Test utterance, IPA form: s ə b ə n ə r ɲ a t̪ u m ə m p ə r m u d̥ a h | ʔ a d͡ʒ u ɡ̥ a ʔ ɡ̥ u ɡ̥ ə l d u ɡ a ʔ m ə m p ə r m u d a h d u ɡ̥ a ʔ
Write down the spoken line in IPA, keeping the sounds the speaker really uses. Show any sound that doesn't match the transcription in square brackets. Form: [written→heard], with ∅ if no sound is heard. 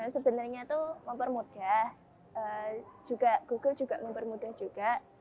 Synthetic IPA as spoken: s ə b ə n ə r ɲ a t̪ u m ə m p ə r m u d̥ a h | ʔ [a→ə] d͡ʒ u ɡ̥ a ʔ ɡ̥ u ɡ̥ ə l [d→d͡ʒ] u ɡ a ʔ m ə m p ə r m u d a h [d→d͡ʒ] u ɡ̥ a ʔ